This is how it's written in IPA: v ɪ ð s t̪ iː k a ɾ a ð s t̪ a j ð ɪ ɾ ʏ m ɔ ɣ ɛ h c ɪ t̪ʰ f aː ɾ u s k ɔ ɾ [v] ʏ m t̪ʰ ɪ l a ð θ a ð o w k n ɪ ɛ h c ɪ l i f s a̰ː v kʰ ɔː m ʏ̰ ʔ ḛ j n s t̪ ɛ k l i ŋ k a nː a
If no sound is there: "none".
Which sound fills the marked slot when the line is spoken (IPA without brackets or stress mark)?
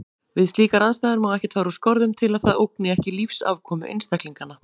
ð